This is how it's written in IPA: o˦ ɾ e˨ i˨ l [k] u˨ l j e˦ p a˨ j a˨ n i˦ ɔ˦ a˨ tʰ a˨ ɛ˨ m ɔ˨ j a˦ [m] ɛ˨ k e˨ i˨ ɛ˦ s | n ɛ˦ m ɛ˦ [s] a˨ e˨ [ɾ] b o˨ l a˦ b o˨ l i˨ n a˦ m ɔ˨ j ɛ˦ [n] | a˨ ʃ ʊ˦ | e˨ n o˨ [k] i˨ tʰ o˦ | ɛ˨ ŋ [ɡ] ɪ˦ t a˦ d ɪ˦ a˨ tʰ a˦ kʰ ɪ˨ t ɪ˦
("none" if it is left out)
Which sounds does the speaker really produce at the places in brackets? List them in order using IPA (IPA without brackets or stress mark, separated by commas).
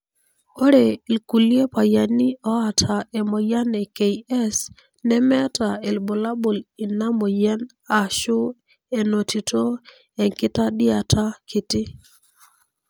k, n, t, l, n, t, k